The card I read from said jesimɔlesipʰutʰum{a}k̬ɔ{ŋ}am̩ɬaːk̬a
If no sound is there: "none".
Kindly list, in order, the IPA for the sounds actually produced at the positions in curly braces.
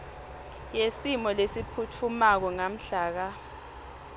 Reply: a, ŋ

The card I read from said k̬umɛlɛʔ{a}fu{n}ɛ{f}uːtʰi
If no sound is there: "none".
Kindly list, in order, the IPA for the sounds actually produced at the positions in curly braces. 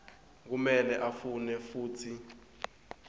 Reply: a, n, f

